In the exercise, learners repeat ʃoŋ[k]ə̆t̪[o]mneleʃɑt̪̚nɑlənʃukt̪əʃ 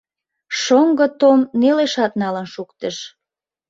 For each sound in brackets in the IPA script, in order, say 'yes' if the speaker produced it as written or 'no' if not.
no, yes

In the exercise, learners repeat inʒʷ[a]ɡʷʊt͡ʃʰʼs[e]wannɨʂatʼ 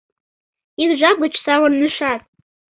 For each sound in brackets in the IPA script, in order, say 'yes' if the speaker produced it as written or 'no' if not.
yes, no

